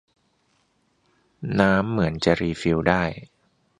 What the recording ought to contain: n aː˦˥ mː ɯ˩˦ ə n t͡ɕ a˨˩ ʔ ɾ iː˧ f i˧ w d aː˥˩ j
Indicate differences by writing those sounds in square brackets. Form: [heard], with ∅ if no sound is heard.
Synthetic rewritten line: n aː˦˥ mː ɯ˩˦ ə n t͡ɕ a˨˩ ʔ ɾ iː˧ f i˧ w d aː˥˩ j